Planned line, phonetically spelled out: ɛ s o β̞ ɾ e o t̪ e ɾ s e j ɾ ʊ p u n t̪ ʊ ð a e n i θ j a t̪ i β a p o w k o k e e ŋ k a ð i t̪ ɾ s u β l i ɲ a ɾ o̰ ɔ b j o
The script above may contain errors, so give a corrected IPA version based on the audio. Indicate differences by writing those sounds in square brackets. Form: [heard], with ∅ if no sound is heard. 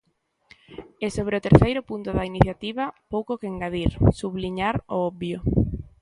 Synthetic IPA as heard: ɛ s o β̞ ɾ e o t̪ e ɾ [θ] e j ɾ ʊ p u n t̪ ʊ ð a [i] n i θ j a t̪ i β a p o w k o k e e ŋ [ɡ] a ð i [∅] ɾ s u β l i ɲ a ɾ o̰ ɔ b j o